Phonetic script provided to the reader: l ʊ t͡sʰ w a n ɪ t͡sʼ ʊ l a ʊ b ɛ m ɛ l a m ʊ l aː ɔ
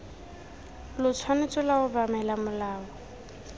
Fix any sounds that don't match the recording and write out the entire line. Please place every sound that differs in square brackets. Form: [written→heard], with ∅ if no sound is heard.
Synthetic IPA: l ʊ t͡sʰ w a n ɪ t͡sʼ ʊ l a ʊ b [ɛ→a] m ɛ l a m ʊ l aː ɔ